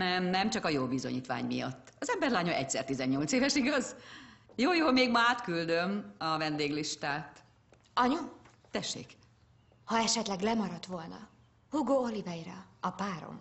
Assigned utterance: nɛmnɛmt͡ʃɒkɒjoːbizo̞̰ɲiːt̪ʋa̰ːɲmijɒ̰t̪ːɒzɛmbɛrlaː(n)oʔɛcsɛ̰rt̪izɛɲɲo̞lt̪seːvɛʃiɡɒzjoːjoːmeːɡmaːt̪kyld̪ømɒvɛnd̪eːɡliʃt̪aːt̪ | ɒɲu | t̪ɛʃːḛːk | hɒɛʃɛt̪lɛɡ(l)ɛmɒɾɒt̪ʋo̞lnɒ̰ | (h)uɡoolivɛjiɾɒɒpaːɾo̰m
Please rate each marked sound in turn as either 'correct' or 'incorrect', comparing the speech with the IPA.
incorrect: ɲ, correct, correct

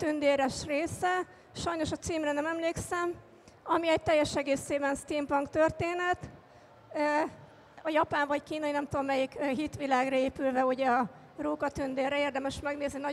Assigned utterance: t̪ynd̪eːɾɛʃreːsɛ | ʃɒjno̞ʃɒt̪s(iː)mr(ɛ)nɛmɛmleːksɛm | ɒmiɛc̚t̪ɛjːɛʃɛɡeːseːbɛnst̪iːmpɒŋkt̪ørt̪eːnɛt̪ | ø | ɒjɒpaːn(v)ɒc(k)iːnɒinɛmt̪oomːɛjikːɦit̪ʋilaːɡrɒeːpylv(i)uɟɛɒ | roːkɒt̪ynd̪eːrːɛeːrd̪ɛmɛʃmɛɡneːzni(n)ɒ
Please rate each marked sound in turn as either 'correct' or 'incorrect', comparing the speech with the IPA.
correct, correct, correct, correct, incorrect: ɛ, correct

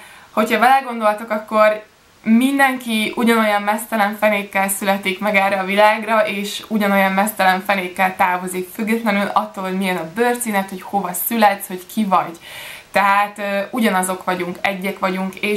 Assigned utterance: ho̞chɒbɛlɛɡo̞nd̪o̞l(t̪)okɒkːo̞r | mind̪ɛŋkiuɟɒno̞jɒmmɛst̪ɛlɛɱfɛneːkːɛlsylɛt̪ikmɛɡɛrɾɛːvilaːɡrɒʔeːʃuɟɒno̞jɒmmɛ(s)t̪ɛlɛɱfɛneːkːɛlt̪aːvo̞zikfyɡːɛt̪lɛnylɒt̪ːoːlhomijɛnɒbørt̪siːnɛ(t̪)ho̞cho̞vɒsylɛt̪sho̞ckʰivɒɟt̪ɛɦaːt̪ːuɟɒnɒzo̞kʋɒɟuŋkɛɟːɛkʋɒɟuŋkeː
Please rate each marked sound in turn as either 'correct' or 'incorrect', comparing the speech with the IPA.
correct, correct, correct

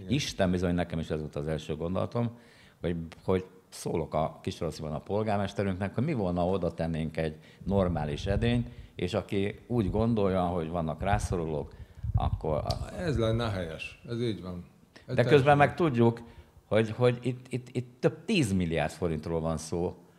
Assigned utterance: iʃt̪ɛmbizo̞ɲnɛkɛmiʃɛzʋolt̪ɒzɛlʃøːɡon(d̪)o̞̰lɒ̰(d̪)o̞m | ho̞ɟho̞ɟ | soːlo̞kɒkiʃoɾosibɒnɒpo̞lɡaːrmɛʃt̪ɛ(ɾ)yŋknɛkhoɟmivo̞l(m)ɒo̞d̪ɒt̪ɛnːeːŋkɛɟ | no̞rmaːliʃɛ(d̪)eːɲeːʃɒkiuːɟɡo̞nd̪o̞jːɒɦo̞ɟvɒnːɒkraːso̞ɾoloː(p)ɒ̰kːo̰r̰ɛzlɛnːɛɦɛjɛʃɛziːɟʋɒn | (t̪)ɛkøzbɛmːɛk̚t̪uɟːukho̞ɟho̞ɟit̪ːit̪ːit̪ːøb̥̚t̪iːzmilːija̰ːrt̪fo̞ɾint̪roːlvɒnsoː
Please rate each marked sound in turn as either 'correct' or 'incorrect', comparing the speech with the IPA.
correct, incorrect: t̪, correct, incorrect: n, correct, incorrect: k, incorrect: d̪

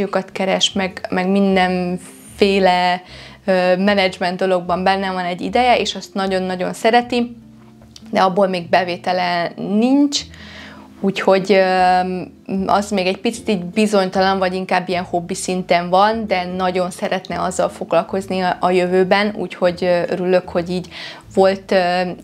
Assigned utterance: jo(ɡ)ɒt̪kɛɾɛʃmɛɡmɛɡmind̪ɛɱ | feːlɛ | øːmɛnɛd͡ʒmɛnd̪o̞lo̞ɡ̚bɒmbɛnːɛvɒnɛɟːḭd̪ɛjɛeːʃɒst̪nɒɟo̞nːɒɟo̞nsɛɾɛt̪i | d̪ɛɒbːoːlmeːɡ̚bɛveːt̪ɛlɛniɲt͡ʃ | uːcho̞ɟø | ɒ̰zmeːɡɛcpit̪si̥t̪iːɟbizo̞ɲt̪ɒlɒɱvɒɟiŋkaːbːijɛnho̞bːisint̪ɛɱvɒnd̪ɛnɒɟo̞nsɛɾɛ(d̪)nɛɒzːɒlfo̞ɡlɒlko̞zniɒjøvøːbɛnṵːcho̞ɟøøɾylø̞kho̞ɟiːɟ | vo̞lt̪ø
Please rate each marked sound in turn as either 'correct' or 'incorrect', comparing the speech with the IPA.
incorrect: k, incorrect: t̪

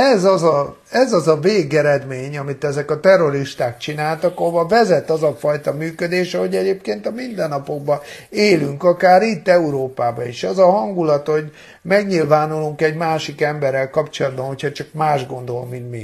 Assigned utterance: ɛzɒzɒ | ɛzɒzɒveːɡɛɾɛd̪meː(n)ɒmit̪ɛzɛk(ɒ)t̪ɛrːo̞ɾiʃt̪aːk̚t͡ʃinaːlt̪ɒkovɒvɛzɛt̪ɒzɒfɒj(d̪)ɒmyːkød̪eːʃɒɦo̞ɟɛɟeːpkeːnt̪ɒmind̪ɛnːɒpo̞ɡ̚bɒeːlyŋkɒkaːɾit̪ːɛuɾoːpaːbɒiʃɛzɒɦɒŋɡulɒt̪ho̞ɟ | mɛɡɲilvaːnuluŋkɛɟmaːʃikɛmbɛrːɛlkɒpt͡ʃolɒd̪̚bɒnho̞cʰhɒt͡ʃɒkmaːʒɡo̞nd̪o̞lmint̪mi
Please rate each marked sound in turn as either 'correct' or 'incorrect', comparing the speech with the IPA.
incorrect: ɲ, correct, incorrect: t̪

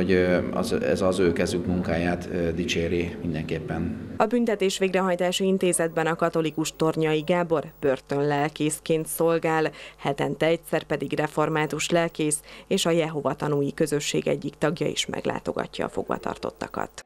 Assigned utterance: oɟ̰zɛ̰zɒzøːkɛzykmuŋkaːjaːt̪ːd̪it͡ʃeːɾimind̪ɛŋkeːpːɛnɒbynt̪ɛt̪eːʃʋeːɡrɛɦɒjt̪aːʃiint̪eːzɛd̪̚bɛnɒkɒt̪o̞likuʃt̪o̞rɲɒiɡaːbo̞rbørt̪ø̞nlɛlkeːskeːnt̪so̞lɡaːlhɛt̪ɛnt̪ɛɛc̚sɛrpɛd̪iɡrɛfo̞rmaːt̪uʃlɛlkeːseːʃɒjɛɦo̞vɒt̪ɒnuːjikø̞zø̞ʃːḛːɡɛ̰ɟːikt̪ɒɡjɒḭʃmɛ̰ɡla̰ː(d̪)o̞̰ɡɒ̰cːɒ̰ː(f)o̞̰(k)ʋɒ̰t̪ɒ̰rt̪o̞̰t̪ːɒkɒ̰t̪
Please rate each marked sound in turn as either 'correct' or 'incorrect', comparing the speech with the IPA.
incorrect: t̪, correct, incorrect: ɡ

